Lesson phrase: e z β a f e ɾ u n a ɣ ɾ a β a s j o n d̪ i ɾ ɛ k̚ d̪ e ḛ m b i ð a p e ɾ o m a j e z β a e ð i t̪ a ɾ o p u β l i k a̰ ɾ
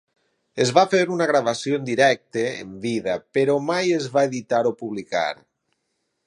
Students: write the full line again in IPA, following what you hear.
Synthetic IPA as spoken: e z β a f e ɾ u n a ɣ ɾ a β a s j o n d̪ i ɾ ɛ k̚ t̪ e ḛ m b i ð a p e ɾ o m a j e z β a e ð i t̪ a ɾ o p u β l i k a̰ ɾ